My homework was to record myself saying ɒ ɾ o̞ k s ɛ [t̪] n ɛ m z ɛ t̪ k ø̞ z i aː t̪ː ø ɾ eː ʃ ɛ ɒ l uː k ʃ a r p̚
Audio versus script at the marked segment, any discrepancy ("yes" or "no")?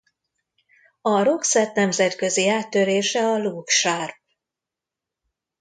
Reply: no